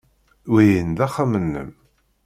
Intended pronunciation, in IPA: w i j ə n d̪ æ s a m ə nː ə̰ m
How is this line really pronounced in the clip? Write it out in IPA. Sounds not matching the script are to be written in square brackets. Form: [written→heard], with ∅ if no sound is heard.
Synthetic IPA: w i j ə n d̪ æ [s→χ] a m ə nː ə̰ m